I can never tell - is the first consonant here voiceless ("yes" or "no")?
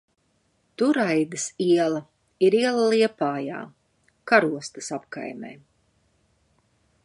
yes